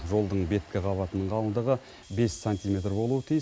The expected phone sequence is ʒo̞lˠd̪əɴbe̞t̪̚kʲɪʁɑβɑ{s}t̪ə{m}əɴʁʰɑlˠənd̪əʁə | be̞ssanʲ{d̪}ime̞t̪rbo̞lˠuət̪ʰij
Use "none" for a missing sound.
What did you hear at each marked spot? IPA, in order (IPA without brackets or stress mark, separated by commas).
none, n, t̪